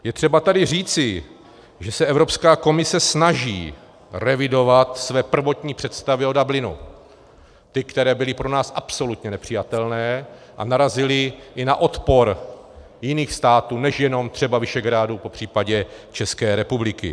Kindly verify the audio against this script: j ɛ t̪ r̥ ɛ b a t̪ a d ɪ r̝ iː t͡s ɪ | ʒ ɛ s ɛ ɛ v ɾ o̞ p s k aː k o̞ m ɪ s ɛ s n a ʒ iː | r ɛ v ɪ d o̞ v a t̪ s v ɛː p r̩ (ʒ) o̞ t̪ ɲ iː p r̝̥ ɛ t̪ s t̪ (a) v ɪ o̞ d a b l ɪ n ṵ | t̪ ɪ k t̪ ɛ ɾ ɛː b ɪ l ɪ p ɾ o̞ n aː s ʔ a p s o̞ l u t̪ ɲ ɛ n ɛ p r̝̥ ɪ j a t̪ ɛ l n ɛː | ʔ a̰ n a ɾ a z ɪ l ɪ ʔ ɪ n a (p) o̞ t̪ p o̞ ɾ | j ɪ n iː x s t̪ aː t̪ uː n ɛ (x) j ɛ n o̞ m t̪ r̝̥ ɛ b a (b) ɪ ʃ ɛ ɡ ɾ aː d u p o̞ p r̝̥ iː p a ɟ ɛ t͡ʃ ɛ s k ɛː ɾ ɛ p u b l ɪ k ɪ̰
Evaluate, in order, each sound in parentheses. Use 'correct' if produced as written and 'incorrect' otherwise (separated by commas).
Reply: incorrect, correct, incorrect, incorrect, incorrect